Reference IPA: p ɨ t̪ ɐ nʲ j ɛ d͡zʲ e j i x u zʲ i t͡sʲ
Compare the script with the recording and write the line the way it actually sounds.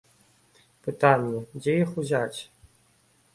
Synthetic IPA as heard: p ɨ t̪ a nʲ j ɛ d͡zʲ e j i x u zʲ a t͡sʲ